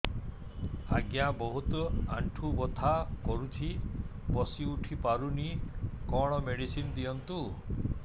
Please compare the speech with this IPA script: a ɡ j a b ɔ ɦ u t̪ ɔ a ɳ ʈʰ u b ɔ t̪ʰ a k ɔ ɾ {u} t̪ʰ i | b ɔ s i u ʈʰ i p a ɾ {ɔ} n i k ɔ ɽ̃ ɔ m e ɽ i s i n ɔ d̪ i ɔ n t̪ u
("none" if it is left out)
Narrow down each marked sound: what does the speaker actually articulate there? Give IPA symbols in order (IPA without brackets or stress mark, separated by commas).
u, u